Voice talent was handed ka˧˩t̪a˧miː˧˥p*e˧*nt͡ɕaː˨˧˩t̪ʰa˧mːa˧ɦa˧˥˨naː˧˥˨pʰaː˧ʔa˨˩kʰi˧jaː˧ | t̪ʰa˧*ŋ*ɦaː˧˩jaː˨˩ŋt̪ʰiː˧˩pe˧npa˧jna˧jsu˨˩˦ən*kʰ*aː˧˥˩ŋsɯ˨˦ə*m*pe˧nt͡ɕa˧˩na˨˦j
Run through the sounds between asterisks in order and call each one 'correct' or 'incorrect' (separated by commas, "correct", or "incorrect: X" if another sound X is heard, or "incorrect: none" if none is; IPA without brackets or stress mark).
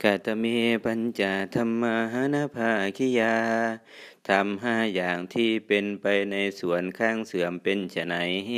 incorrect: a˧, incorrect: m, correct, correct